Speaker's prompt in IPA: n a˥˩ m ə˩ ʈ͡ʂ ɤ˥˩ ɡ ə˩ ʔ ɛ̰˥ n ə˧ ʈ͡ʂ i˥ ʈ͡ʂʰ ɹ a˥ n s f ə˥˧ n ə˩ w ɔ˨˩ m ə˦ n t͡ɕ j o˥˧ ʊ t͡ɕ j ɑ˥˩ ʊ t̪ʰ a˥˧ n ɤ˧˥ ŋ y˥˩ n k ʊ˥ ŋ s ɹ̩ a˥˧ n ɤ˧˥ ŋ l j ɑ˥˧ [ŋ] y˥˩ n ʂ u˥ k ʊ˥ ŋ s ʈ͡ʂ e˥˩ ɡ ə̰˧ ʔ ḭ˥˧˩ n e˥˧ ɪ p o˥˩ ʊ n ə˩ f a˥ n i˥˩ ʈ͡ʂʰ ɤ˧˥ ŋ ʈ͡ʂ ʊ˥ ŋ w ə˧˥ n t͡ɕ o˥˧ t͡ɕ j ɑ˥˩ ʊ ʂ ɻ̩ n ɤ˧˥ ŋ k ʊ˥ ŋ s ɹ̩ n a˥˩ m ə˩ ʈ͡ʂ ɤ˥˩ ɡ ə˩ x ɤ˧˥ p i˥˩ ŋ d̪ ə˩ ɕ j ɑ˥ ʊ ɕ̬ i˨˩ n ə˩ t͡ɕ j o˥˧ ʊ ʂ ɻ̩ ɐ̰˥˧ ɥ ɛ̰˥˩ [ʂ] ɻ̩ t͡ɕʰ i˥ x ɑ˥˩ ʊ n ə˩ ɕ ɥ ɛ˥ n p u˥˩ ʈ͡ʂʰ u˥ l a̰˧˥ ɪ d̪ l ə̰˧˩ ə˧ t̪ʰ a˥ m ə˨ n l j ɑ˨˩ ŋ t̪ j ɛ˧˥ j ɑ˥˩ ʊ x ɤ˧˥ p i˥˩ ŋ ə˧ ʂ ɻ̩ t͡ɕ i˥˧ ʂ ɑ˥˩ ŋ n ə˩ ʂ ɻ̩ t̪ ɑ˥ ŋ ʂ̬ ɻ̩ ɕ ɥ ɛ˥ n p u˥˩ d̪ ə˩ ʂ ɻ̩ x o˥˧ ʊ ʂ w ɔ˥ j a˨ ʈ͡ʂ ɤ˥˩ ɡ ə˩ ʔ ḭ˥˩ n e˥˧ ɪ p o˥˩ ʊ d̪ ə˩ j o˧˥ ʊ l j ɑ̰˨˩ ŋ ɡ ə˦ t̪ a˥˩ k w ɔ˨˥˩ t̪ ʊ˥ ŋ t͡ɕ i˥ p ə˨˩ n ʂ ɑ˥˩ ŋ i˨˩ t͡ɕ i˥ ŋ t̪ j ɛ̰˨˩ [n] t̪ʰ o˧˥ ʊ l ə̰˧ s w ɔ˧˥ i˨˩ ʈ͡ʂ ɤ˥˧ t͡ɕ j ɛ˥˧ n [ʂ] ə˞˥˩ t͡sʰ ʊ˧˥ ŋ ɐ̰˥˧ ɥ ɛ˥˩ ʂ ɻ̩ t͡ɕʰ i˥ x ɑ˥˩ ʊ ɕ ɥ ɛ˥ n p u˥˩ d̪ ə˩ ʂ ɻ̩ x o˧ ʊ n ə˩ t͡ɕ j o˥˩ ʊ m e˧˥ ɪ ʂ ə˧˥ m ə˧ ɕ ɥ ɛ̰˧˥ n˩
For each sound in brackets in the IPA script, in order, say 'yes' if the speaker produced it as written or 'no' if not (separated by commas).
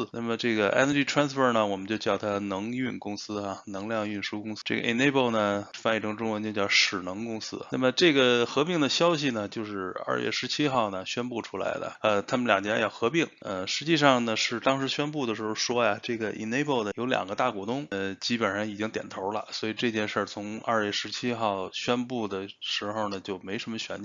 yes, yes, yes, yes